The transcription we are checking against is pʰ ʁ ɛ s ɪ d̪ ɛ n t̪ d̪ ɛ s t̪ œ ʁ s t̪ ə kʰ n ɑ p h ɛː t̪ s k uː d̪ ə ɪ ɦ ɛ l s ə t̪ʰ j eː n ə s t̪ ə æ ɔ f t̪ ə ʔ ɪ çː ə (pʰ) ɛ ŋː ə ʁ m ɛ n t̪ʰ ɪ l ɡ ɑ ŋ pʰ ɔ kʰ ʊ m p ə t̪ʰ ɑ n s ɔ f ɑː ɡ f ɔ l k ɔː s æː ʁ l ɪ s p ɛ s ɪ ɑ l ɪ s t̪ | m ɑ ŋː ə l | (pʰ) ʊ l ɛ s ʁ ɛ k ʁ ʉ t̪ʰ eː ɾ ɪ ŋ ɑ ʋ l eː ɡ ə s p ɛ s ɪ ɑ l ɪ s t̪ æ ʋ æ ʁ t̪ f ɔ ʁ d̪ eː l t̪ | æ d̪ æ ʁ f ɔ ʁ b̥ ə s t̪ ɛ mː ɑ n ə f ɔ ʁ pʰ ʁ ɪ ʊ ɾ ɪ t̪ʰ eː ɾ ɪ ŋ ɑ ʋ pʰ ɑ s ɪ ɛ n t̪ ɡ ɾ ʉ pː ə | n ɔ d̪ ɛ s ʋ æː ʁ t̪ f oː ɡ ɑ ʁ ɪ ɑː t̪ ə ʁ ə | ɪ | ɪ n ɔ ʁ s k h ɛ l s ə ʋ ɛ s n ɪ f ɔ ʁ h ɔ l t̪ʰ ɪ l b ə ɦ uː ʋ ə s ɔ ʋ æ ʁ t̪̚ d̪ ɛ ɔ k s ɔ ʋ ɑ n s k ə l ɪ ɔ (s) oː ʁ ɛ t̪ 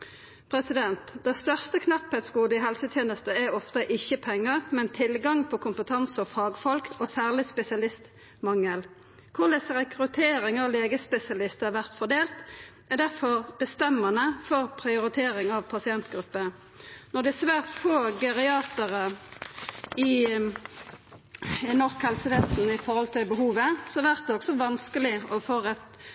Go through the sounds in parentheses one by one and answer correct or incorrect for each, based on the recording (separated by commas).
correct, incorrect, incorrect